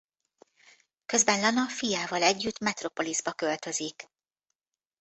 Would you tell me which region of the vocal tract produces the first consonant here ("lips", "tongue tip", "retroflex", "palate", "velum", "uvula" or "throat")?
velum